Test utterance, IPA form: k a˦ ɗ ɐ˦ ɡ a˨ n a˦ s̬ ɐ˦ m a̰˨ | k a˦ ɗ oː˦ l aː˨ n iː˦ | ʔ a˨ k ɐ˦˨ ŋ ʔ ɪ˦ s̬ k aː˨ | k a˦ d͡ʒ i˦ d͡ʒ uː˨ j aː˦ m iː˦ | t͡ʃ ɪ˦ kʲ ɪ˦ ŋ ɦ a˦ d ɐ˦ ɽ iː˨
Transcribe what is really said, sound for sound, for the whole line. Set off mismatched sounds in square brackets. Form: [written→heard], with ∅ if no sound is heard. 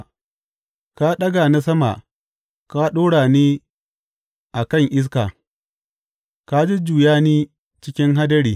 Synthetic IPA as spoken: k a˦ ɗ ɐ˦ ɡ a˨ n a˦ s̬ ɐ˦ m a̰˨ | k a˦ ɗ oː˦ [l→ɽ] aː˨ n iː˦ | ʔ a˨ k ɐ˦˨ ŋ ʔ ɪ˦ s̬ k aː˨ | k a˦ d͡ʒ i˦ d͡ʒ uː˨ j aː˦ [m→n] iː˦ | t͡ʃ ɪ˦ kʲ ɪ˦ ŋ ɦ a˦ d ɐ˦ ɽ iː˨